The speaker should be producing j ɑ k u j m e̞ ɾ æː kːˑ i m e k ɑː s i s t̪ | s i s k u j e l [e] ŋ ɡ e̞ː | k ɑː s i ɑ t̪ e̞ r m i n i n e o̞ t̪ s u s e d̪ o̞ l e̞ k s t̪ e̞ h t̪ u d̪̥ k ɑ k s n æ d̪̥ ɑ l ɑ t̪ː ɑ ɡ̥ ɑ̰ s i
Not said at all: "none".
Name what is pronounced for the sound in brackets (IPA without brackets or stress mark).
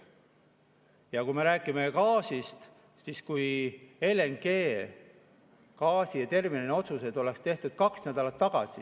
e